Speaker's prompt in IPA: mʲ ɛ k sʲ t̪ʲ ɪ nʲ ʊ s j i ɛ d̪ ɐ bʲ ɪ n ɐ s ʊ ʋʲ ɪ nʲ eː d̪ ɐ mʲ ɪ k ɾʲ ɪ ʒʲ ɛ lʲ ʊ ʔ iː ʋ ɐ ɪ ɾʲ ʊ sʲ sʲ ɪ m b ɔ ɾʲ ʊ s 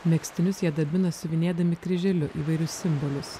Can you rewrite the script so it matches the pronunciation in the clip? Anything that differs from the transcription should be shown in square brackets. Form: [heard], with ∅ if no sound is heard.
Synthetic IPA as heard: mʲ ɛ k sʲ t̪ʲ ɪ nʲ ʊ s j i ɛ d̪ ɐ bʲ ɪ n ɐ s ʊ ʋʲ ɪ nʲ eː d̪ ɐ mʲ ɪ k ɾʲ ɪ ʒʲ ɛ lʲ ʊ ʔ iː ʋ ɐ ɪ ɾʲ ʊ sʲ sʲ ɪ m b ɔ [lʲ] ʊ s